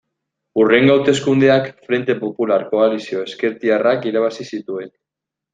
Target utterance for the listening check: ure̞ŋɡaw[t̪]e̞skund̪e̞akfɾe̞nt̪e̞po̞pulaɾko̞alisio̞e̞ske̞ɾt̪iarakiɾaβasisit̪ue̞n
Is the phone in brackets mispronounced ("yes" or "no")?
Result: no